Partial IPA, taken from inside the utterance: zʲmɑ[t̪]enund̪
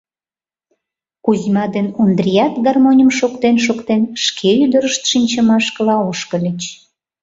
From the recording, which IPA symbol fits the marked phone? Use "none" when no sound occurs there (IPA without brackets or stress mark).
d̪